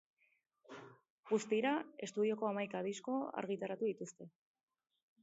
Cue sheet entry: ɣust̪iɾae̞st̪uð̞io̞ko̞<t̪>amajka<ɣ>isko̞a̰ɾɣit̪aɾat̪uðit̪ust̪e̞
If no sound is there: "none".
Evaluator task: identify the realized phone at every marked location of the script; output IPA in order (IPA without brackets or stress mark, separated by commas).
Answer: none, ð